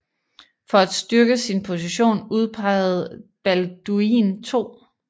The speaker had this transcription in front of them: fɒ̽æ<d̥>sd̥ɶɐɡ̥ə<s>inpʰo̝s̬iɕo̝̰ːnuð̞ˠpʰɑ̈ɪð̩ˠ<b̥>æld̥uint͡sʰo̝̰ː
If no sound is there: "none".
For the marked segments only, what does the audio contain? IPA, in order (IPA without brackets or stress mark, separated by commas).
d̥, s, b̥